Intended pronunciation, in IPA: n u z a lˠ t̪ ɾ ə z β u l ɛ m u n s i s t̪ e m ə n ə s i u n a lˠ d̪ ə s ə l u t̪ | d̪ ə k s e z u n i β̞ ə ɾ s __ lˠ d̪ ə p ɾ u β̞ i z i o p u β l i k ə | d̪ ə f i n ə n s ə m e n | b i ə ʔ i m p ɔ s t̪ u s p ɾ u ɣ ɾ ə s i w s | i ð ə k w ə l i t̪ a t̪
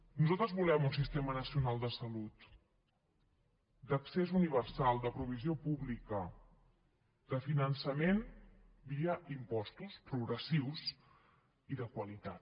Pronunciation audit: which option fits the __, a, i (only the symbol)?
a